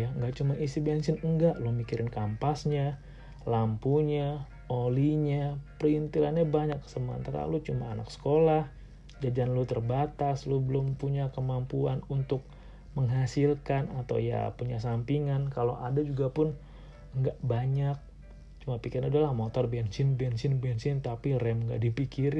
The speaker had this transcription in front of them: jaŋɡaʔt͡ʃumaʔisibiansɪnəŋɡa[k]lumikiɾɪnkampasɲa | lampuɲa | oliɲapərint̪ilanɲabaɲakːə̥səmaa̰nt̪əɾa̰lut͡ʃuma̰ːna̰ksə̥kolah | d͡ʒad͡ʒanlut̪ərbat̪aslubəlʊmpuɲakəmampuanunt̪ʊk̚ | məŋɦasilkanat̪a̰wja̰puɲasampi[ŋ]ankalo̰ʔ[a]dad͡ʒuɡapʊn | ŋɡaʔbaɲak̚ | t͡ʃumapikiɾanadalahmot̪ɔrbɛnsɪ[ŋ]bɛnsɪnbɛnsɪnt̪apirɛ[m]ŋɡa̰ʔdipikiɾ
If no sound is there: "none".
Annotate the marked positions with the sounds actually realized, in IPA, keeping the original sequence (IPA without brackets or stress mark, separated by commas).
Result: ʔ, ŋ, a, n, m